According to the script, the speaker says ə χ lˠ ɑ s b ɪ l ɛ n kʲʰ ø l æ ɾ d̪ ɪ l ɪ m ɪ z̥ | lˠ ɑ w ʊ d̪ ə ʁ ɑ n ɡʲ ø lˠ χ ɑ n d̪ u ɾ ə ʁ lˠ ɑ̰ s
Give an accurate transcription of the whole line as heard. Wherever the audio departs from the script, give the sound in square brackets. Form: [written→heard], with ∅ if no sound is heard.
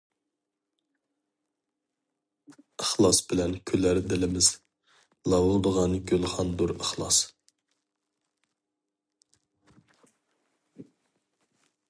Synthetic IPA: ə χ lˠ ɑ s b ɪ l ɛ n kʲʰ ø l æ ɾ d̪ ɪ l ɪ m ɪ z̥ | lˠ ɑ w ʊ d̪ ə ʁ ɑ n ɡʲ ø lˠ χ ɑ n d̪ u ɾ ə [ʁ→χ] lˠ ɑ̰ s